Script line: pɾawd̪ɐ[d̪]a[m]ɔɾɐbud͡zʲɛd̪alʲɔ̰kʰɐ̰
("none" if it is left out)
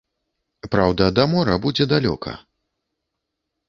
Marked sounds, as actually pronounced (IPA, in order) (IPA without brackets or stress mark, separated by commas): d̪, m